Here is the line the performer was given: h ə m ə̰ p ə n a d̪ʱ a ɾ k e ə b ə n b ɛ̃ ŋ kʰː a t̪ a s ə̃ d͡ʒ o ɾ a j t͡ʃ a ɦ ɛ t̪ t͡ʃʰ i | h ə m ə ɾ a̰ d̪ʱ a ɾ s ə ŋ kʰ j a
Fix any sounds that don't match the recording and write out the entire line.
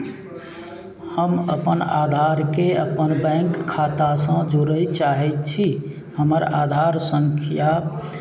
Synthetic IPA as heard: h ə m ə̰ p ə n a d̪ʱ a ɾ k e ə p ə n b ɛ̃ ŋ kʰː a t̪ a s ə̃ d͡ʒ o ɾ ə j t͡ʃ a ɦ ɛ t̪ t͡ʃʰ i | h ə m ə ɾ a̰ d̪ʱ a ɾ s ə ŋ kʰ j a